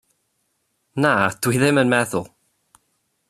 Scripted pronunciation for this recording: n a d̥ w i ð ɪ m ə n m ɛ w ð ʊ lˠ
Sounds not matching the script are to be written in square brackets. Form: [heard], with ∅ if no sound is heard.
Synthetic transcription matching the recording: n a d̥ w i ð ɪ m ə n m ɛ [∅] ð ʊ lˠ